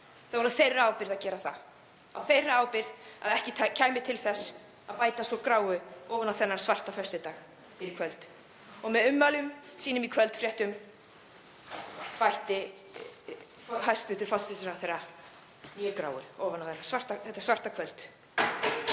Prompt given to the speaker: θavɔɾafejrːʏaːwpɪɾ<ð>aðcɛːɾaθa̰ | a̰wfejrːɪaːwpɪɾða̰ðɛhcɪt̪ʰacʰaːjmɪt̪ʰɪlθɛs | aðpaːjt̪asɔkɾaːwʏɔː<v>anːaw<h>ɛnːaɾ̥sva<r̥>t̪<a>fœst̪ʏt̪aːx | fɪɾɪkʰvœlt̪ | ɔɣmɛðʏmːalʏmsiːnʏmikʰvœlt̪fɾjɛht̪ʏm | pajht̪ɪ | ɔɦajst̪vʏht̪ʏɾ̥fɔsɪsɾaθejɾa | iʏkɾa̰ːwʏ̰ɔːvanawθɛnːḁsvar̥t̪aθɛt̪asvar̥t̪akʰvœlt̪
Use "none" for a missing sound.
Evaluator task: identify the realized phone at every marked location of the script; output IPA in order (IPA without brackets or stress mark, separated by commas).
ð, v, θ, r̥, a